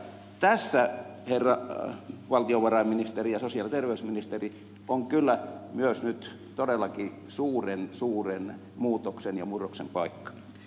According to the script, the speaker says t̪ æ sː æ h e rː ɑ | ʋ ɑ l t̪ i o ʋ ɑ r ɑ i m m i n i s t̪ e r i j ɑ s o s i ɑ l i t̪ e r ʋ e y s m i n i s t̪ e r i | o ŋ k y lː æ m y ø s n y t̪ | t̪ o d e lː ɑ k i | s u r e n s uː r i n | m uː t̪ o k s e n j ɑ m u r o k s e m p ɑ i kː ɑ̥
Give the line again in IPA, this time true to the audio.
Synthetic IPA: t̪ æ sː æ h e rː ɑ | ʋ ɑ l t̪ i o ʋ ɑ r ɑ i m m i n i s t̪ e r i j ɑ s o s i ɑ l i t̪ e r ʋ e y s m i n i s t̪ e r i | o ŋ k y lː æ m y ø s n y t̪ | t̪ o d e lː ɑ k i | s uː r e n s uː r e n | m uː t̪ o k s e n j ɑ m u r o k s e m p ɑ i kː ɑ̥